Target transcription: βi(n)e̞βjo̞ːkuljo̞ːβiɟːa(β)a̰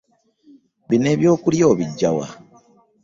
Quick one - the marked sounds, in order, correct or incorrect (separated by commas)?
correct, incorrect